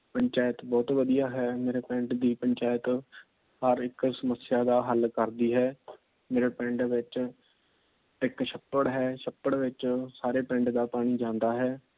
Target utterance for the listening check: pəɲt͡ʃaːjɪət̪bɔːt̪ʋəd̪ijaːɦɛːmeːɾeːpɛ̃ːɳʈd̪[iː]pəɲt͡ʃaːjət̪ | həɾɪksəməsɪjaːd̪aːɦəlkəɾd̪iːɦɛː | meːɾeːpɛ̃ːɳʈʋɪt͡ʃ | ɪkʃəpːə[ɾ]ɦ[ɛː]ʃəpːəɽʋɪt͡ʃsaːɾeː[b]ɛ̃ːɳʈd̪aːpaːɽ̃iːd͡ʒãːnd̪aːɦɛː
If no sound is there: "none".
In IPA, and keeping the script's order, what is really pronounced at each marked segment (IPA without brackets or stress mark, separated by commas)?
iː, ɽ, ɛː, p